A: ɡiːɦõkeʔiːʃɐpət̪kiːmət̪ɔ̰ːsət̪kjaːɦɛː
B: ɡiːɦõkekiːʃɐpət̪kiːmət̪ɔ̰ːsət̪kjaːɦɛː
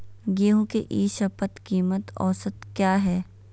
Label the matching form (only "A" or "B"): A